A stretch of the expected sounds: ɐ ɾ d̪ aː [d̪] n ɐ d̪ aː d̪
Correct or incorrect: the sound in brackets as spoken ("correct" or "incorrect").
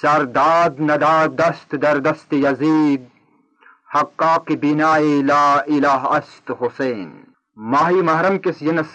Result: correct